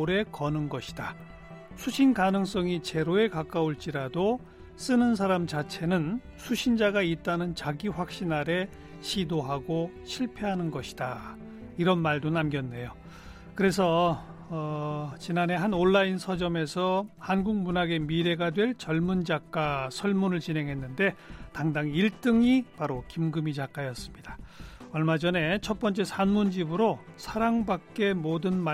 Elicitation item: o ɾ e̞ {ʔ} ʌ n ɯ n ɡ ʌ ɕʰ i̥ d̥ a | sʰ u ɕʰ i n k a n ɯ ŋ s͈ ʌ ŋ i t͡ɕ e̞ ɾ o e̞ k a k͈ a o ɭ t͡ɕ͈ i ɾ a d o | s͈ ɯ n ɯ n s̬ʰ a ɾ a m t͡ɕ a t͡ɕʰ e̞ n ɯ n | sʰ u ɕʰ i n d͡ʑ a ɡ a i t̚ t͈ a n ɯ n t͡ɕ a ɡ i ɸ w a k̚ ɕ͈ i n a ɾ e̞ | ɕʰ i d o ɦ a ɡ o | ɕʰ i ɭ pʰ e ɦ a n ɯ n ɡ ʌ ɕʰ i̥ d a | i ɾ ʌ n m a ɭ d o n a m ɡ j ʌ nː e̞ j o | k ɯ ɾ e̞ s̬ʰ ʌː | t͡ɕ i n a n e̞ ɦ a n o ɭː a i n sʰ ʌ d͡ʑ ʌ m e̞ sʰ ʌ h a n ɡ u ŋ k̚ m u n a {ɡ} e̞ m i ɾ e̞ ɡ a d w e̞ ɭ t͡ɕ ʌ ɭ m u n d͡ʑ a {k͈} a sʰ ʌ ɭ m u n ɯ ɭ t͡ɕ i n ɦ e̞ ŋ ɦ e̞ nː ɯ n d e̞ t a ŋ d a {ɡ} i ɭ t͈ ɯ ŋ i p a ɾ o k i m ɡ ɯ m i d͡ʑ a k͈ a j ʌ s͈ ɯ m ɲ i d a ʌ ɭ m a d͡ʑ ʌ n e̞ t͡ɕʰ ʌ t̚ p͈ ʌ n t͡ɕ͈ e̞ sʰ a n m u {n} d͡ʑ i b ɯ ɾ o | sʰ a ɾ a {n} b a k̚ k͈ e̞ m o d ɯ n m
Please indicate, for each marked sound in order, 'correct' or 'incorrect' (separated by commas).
incorrect, correct, correct, incorrect, correct, incorrect